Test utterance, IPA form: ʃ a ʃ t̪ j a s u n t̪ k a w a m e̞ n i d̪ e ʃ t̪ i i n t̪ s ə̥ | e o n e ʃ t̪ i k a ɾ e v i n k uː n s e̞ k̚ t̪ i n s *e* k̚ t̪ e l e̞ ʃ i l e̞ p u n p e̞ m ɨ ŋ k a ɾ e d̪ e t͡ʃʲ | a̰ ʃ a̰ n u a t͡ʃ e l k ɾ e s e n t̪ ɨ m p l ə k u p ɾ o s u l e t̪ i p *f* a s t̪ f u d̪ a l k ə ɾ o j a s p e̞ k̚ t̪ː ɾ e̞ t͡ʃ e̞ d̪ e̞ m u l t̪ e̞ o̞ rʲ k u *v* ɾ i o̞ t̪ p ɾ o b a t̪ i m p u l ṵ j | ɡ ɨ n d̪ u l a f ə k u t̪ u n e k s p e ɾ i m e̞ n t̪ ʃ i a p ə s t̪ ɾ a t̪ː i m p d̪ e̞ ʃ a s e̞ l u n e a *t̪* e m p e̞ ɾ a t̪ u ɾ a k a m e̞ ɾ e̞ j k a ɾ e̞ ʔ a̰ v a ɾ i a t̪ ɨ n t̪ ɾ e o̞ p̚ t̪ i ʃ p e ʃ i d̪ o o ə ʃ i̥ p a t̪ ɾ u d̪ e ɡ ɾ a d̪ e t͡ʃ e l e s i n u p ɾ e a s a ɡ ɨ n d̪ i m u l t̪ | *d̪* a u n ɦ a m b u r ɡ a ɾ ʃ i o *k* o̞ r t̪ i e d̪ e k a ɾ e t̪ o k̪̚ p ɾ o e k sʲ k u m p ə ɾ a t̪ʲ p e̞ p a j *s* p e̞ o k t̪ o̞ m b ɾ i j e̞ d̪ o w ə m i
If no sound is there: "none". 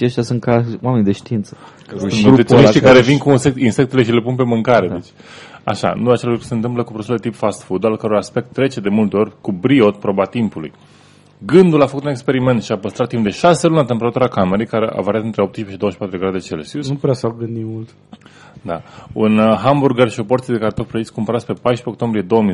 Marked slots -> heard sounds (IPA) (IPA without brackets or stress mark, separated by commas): e, f, b, t̪, d̪, p, ʃ